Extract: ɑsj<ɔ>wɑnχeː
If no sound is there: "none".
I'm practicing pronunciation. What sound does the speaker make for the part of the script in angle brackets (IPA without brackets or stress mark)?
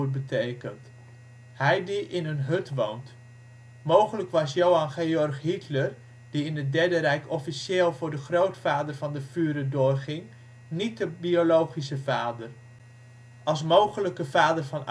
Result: o